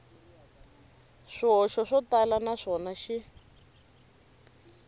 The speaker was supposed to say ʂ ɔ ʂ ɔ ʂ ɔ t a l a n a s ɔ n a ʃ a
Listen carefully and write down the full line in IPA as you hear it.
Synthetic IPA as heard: ʂ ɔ ʃ ɔ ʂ ɔ t a l a n a ʂ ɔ n a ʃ i